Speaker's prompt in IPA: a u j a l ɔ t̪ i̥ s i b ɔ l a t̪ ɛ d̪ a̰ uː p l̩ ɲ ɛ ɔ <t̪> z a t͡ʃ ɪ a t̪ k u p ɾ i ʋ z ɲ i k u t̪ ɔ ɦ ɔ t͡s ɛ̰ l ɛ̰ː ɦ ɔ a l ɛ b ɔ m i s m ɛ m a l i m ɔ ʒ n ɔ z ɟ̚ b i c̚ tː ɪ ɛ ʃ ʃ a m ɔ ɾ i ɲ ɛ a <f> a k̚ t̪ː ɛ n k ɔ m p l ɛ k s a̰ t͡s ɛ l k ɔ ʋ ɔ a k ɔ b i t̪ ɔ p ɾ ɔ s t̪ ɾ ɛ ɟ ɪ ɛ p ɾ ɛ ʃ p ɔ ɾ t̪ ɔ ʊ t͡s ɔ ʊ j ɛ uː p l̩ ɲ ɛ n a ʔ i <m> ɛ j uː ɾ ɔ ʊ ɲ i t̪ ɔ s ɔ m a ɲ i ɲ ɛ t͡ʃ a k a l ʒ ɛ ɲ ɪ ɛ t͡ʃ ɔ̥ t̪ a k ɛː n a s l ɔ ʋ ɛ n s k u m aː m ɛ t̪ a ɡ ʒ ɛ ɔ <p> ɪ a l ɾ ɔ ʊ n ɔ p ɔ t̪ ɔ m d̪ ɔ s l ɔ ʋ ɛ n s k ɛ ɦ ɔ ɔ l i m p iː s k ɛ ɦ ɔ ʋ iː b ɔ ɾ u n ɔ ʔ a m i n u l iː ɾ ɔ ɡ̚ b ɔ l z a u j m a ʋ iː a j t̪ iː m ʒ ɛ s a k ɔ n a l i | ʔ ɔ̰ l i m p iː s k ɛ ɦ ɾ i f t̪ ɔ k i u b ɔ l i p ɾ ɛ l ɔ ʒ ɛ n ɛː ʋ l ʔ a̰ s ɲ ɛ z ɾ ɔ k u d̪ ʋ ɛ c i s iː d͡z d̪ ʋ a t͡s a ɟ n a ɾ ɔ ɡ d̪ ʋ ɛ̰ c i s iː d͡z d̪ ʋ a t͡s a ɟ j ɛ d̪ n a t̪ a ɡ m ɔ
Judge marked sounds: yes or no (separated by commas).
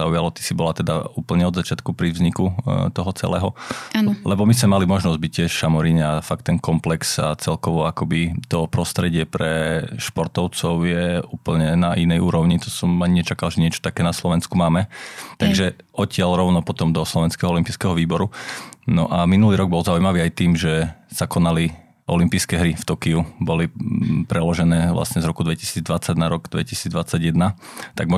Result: no, yes, no, no